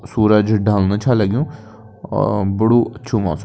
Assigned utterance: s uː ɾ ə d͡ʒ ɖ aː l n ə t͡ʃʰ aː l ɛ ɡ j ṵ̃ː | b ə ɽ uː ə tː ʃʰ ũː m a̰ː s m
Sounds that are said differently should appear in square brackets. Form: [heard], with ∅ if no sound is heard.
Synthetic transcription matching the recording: s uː ɾ ə d͡ʒ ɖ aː l n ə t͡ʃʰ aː l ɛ ɡ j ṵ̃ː | b ə ɽ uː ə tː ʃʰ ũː m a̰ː s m